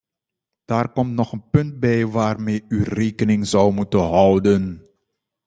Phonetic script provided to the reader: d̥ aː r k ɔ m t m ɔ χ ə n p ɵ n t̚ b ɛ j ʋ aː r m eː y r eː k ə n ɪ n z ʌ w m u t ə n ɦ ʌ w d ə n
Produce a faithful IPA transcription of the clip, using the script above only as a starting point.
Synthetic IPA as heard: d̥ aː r k ɔ m t n ɔ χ ə n p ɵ n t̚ b ɛ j ʋ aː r m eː y r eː k ə n ɪ ŋ z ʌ w m u t ə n ɦ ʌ w d ə n